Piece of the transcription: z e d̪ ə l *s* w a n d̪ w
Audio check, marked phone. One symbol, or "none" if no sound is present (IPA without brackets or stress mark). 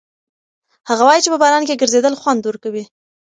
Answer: x